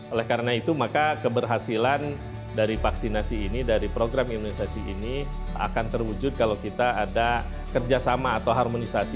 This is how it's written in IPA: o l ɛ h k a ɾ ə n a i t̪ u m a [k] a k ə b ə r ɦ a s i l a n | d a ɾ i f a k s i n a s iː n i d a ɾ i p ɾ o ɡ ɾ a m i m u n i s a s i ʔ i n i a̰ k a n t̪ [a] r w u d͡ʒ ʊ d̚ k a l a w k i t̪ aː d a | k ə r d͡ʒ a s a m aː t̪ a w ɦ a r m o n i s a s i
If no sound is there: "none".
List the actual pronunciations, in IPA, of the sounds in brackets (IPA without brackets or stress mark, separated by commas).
k, ə